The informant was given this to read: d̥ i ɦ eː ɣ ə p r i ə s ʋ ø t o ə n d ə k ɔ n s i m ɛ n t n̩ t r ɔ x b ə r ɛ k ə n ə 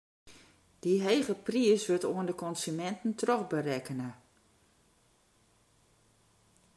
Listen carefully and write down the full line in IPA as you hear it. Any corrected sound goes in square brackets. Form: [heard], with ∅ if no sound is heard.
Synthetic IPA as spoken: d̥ i ɦ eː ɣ ə p r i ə s ʋ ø t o ə n d ə k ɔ n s [y] m ɛ n t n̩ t r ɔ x b ə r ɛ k ə n ə